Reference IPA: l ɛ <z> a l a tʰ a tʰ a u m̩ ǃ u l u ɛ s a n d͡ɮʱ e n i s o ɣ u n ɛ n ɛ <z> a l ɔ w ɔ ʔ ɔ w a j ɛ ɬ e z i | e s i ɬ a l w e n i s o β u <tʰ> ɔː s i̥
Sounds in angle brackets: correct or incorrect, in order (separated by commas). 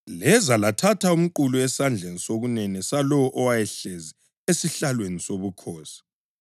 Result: correct, incorrect, incorrect